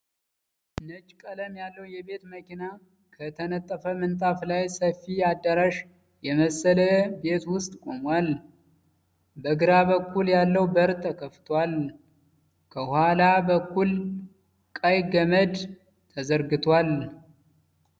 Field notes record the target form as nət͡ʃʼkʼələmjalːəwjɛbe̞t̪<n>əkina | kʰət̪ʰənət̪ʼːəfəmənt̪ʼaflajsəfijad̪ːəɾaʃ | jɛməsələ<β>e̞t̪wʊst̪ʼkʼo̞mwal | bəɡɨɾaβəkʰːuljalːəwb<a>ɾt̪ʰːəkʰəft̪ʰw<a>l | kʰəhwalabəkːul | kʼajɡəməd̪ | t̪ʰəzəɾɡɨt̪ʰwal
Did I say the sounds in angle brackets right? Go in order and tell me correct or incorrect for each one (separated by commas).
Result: incorrect, incorrect, incorrect, correct